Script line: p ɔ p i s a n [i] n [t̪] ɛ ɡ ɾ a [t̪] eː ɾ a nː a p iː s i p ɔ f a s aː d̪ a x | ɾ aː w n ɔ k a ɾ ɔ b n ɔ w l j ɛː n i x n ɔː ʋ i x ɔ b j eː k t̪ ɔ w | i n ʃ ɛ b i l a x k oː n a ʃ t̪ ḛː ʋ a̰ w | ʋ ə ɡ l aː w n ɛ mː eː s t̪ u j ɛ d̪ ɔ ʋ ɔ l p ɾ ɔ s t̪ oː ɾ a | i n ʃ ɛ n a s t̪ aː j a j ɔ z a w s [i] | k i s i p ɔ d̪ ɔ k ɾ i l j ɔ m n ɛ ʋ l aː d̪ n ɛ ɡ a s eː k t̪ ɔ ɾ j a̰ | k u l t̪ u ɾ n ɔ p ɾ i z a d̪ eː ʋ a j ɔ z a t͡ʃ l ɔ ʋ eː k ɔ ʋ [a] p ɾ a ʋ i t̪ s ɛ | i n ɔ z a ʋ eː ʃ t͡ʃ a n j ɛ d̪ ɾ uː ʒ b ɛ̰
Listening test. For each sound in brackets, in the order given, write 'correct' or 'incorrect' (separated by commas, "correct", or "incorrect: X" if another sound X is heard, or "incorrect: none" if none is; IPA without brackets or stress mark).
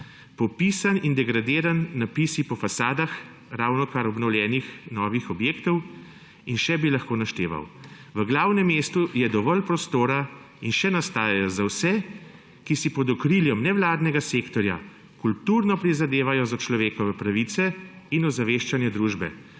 correct, incorrect: d̪, incorrect: d̪, incorrect: ɛ, incorrect: ɛ